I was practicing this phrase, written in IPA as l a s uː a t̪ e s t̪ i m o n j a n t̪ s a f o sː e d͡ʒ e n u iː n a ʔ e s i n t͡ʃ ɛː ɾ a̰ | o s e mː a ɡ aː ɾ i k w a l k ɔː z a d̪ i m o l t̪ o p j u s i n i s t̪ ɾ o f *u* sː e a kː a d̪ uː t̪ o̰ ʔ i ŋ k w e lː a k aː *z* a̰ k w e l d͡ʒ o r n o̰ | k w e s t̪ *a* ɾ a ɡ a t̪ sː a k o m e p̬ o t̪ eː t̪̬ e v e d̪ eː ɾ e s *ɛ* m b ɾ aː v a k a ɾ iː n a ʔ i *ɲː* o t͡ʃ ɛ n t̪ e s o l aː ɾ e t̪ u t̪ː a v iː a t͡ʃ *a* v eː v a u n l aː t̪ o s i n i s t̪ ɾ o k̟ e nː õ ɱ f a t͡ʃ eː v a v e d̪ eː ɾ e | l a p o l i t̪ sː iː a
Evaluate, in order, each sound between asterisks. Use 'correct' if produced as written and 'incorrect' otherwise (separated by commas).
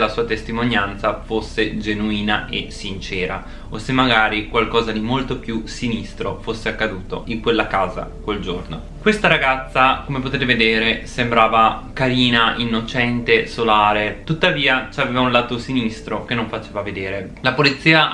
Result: incorrect, correct, correct, incorrect, incorrect, correct